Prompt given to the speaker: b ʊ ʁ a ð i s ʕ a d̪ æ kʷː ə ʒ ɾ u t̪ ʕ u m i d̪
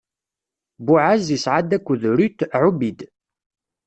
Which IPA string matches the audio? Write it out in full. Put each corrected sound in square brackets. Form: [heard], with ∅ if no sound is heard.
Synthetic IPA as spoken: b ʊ [ʕ] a [z] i s ʕ a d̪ æ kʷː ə [ð] ɾ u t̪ ʕ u [b] i d̪